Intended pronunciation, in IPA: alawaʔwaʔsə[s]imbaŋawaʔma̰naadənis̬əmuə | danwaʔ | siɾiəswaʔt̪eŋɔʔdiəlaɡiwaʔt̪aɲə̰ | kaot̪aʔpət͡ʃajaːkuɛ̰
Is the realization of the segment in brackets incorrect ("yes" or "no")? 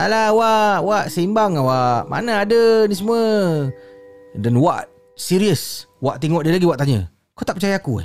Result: yes